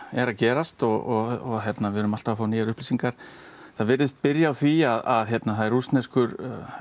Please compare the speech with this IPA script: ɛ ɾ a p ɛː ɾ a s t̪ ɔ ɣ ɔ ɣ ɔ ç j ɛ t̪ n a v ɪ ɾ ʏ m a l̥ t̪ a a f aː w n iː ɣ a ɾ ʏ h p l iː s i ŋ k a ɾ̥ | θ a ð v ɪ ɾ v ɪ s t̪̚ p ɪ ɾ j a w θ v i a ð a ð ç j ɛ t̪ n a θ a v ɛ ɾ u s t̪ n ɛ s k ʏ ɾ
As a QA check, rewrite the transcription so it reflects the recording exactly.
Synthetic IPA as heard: ɛ ɾ a c ɛː ɾ a s t̪ ɔ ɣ ɔ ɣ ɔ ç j ɛ t̪ n a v ɪ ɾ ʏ m a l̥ t̪ a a f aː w n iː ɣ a ɾ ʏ h p l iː s i ŋ k a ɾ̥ | θ a ð v ɪ ɾ ð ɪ s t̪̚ p ɪ ɾ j a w θ v i a ð a ð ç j ɛ t̪ n a θ a ð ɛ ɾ u s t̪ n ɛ s k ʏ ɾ